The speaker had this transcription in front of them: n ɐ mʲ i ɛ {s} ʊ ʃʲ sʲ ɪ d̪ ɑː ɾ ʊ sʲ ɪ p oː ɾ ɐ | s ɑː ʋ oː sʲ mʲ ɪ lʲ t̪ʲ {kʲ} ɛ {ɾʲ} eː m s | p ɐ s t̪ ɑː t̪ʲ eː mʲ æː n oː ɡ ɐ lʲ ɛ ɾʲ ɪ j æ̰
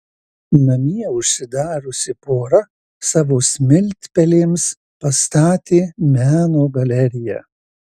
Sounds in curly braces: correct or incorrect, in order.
incorrect: none, incorrect: pʲ, incorrect: lʲ

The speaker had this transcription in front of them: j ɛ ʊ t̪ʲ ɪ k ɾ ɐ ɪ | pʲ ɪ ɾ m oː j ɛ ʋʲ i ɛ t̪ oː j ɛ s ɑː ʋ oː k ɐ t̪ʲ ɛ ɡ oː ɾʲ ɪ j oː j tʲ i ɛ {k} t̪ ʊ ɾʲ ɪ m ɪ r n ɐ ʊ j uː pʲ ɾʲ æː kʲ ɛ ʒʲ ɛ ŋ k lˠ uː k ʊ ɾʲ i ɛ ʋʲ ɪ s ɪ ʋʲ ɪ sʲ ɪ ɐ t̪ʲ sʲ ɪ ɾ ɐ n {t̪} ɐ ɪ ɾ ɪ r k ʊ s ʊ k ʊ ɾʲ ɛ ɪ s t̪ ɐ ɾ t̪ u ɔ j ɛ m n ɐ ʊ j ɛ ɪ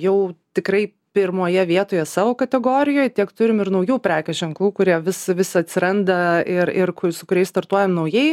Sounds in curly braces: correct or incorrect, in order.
correct, incorrect: d̪

